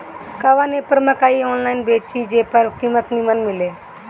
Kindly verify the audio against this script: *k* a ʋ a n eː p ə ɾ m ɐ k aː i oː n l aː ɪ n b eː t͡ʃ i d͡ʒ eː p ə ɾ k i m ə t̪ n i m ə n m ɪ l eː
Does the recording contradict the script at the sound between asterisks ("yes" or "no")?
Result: no